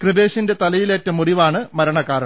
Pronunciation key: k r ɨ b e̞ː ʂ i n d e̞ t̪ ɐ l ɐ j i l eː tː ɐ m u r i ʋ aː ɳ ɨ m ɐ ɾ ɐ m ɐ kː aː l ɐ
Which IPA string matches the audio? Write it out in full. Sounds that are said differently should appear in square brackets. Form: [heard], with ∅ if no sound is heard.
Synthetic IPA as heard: k r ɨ b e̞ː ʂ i n d e̞ t̪ ɐ l ɐ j i l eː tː ɐ m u r i ʋ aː ɳ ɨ m ɐ ɾ ɐ [ɳ] ɐ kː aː [ɾ] ɐ